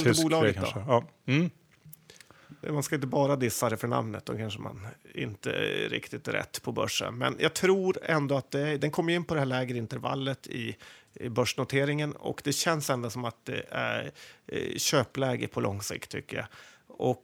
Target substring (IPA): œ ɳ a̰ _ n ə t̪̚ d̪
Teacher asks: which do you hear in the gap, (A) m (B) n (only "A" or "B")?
A